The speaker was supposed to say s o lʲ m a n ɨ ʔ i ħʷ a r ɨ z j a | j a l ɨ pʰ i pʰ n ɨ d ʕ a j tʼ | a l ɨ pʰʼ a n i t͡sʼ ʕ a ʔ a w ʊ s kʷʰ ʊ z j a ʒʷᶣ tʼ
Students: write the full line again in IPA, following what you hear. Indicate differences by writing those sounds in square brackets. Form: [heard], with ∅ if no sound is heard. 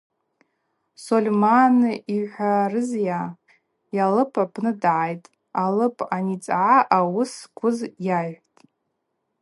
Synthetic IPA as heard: s o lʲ m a n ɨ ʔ i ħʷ a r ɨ z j a | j a l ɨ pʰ [a] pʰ n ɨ d ʕ a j tʼ | a l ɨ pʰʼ a n i t͡sʼ ʕ a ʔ a w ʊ s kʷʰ ʊ z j a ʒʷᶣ tʼ